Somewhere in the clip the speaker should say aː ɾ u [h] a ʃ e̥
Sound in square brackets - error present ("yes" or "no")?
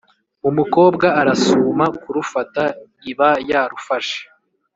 yes